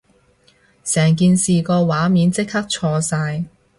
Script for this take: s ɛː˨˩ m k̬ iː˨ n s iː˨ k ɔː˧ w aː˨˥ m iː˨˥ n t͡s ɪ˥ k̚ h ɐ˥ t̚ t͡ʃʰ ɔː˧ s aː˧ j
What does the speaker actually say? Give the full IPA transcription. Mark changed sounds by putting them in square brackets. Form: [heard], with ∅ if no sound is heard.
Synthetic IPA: s ɛː˨˩ [ŋ] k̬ iː˨ n s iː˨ k ɔː˧ w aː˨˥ m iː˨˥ n t͡s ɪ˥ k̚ h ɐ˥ [k̚] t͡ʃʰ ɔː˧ s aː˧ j